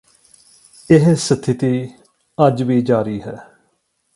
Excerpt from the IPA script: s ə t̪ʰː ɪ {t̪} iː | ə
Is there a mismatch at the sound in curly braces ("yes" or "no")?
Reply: no